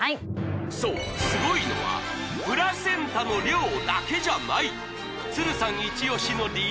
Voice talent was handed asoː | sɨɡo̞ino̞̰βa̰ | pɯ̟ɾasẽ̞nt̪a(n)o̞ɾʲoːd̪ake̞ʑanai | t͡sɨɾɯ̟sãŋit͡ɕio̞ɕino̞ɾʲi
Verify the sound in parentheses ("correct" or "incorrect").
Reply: correct